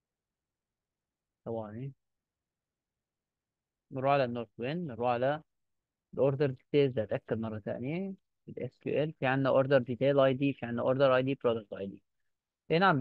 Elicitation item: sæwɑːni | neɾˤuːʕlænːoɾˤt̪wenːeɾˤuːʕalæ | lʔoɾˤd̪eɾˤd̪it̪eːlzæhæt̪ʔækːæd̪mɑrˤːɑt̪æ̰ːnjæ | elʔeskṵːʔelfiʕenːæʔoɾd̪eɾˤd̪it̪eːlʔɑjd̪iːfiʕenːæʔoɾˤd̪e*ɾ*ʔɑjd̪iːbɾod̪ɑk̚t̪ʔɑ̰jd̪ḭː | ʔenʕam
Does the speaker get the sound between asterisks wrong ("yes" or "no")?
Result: no